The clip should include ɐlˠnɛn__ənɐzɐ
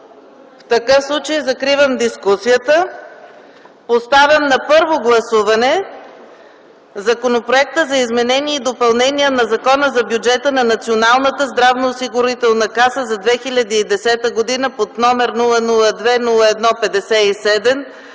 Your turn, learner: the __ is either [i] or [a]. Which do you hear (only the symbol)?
i